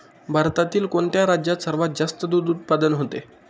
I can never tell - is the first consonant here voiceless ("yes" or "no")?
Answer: no